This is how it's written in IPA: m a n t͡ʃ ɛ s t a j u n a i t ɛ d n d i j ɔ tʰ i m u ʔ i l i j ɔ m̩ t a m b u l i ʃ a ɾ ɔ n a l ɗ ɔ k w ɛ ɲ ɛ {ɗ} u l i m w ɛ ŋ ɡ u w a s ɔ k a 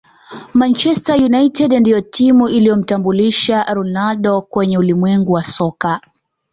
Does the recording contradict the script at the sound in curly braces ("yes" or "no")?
yes